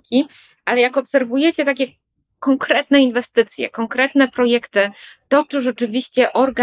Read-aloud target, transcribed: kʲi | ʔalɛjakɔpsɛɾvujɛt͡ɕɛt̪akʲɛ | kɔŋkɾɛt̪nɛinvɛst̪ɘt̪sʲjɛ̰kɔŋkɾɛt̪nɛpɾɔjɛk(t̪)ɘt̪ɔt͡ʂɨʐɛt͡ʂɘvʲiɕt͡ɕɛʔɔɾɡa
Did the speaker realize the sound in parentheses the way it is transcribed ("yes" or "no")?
yes